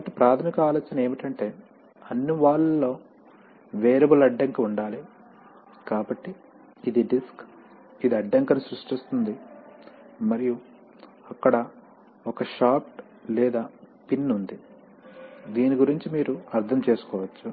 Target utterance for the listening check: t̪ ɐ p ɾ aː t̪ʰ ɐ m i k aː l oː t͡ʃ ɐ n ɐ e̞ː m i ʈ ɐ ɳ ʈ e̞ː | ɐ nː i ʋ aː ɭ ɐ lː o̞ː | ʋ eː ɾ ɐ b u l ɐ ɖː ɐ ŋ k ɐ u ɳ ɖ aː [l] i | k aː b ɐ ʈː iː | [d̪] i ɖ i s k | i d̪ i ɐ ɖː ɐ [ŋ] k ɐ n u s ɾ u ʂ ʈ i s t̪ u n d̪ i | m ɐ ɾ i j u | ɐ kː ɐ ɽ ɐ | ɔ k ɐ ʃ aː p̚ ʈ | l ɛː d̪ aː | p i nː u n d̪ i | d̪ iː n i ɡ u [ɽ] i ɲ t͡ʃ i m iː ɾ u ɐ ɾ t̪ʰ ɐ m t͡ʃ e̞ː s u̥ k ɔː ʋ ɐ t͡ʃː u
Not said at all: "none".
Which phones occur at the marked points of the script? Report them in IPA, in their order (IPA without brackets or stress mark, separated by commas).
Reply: l, d̪, ŋ, ɾ